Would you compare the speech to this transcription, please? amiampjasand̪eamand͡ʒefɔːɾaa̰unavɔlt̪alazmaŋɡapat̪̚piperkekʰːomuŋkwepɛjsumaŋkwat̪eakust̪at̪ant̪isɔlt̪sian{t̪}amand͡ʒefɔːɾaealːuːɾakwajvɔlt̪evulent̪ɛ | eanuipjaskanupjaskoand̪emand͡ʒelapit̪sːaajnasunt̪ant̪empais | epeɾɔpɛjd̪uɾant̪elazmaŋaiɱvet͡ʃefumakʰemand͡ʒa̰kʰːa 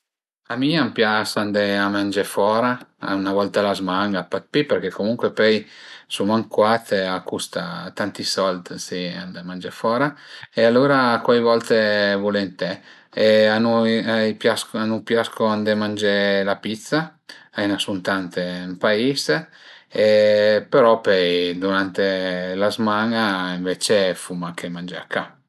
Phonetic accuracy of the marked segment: incorrect: d̪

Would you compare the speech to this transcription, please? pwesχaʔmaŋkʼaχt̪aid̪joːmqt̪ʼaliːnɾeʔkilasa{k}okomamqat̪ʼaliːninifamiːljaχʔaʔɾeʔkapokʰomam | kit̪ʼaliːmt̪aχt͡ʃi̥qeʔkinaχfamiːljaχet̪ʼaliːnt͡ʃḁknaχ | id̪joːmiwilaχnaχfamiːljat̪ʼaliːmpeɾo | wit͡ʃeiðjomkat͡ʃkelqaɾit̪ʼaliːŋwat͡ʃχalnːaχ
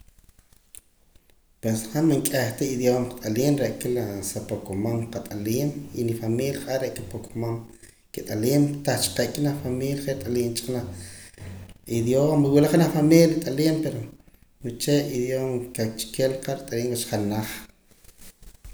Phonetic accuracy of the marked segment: incorrect: p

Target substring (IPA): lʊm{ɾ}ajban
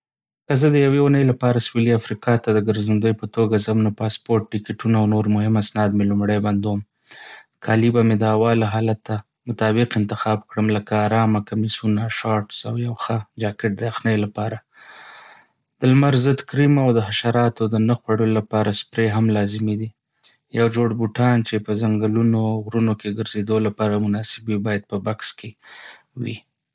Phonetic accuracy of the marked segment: incorrect: ɽ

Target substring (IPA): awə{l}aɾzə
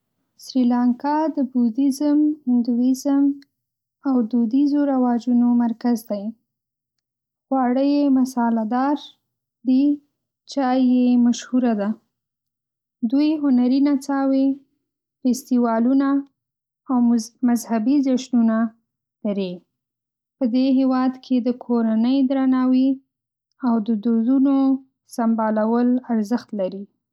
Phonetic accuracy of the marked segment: correct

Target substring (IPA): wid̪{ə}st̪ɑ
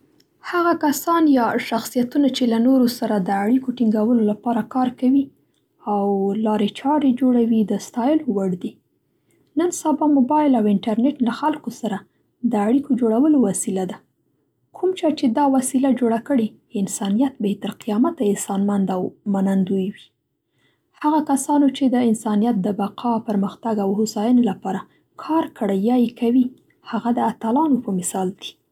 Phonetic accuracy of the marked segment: correct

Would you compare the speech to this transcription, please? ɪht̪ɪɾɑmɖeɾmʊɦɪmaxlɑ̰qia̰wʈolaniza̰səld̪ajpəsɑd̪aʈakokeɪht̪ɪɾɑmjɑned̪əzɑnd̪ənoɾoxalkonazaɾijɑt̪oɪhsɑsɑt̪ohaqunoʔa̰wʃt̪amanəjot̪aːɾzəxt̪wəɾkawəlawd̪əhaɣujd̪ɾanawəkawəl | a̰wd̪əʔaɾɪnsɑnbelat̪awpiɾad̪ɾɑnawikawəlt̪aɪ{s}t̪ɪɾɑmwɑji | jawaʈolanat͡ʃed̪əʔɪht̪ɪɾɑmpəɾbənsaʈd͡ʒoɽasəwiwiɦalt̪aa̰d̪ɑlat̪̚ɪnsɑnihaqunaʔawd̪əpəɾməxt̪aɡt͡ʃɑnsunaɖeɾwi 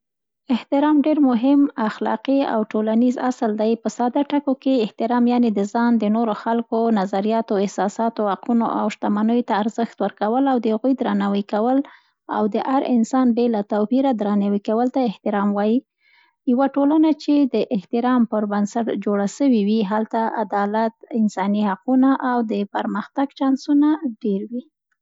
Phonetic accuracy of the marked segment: incorrect: h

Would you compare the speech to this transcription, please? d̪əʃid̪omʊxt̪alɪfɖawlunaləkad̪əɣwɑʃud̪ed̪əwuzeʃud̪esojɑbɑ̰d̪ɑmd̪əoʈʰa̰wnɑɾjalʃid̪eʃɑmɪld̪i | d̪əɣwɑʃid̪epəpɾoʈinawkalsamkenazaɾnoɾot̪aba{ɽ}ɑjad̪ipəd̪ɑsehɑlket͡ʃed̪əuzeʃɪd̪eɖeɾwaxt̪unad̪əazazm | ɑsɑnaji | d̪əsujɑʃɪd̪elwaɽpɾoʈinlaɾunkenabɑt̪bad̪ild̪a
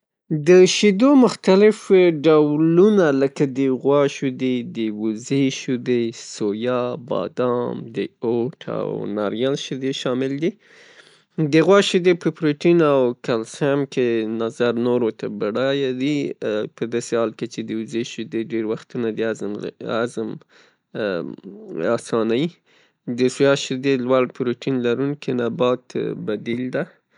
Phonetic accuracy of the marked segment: correct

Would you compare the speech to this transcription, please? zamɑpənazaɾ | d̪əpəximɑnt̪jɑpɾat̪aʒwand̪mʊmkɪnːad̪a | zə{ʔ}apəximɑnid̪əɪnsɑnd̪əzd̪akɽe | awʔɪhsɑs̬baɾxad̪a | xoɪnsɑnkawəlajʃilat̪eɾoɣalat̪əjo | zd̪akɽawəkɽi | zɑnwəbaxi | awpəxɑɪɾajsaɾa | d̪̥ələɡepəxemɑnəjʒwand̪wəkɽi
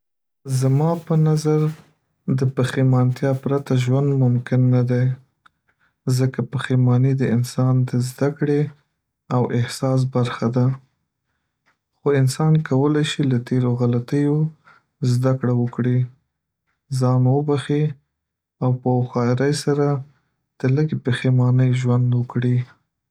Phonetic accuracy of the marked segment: incorrect: k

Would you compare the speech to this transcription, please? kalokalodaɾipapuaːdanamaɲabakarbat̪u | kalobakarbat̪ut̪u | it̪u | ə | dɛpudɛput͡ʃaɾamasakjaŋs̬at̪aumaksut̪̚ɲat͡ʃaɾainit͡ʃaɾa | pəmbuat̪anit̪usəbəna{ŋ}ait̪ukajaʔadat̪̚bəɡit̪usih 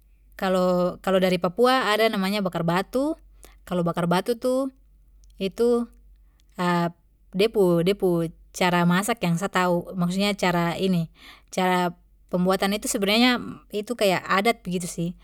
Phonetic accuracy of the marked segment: incorrect: ɲ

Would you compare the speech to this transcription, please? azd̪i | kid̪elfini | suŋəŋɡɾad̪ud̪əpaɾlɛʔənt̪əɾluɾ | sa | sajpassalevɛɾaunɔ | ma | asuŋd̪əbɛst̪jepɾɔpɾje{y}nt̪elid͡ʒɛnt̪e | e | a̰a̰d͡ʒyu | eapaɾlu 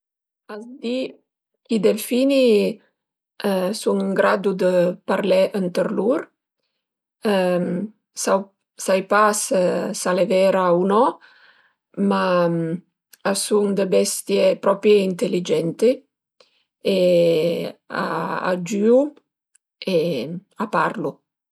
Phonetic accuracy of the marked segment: incorrect: i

